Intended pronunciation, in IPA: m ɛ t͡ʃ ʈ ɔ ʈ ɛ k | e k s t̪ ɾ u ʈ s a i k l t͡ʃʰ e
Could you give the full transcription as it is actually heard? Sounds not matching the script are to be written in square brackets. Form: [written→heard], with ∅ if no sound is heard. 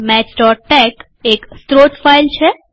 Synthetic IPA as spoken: m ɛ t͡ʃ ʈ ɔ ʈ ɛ k | e k s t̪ ɾ [u→o] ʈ [s→f] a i [k→∅] l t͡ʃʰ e